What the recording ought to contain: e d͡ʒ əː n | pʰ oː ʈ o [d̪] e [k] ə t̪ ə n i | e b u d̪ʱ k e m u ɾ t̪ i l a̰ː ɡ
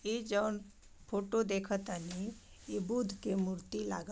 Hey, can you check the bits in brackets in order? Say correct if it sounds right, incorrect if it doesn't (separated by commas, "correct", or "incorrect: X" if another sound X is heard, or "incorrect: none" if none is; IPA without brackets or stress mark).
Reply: correct, incorrect: kʰ